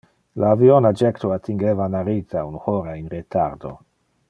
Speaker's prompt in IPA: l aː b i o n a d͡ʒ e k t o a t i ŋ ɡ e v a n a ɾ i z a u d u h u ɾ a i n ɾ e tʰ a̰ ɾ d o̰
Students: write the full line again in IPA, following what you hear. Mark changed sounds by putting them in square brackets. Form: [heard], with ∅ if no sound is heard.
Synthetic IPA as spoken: l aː [v] i o n a d͡ʒ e k t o a t i ŋ ɡ e v a n a ɾ i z a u [n] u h [o] ɾ a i n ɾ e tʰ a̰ ɾ d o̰